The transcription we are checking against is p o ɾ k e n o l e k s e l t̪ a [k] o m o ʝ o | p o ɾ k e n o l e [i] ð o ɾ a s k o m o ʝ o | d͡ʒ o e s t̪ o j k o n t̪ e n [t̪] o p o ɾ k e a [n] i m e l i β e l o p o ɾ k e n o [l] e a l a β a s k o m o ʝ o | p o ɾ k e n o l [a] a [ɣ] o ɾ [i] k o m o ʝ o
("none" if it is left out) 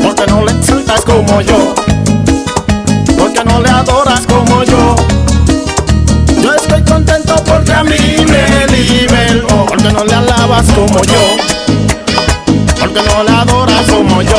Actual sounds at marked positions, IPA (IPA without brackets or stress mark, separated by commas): k, a, t̪, m, l, e, ð, a